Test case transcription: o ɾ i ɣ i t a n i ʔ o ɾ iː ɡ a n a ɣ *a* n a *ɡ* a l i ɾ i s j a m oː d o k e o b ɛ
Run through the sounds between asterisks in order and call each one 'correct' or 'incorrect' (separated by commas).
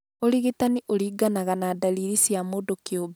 correct, incorrect